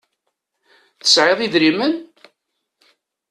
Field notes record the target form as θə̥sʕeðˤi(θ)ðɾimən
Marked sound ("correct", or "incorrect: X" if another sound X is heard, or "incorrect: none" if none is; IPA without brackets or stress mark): incorrect: none